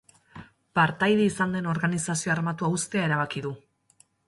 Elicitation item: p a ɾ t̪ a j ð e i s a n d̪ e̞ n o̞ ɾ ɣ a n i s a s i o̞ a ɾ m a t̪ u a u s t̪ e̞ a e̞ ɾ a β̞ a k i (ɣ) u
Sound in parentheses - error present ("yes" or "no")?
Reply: yes